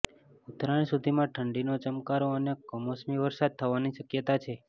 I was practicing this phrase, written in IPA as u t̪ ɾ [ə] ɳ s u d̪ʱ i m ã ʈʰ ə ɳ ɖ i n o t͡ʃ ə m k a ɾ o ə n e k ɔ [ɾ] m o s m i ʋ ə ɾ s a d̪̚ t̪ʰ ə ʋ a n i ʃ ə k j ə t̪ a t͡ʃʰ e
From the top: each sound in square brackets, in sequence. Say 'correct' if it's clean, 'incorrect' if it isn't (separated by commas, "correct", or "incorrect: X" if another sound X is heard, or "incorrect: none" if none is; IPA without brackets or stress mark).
incorrect: a, incorrect: none